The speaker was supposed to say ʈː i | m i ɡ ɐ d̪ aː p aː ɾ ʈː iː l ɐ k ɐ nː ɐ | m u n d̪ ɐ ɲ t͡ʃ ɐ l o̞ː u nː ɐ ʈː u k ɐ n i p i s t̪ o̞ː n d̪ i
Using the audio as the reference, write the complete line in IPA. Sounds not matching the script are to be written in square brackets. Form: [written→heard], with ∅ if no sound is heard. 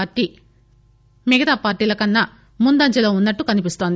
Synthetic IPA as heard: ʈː i | m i ɡ ɐ [d̪→t̪] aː p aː ɾ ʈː iː l ɐ k ɐ nː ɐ | m u n d̪ ɐ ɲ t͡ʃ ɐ l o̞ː u nː ɐ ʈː u k ɐ n i p i s t̪ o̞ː n d̪ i